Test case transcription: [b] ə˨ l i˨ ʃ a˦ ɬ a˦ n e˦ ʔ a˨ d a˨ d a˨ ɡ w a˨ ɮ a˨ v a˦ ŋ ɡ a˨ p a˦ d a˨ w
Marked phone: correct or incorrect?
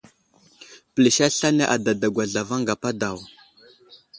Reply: incorrect